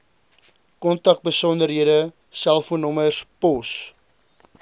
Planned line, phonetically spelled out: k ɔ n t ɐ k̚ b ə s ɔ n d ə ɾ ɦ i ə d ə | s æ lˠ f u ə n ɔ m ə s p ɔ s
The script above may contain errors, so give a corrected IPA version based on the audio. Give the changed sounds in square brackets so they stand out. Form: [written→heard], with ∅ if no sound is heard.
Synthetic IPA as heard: k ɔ n t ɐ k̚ b ə s ɔ n d ə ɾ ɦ i ə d ə | s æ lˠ f u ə n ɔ m ə s p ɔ s